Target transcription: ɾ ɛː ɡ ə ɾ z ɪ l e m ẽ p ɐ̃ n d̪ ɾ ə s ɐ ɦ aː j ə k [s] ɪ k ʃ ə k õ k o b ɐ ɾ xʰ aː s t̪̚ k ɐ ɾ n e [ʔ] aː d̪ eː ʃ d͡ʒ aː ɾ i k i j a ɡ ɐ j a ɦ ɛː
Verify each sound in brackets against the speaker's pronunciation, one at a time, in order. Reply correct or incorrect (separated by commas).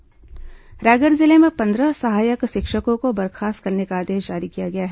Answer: incorrect, incorrect